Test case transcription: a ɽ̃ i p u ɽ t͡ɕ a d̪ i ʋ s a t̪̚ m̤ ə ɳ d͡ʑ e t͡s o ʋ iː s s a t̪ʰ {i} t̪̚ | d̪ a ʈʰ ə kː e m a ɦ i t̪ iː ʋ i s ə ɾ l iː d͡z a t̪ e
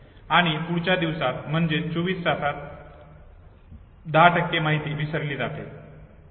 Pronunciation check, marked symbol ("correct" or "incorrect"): incorrect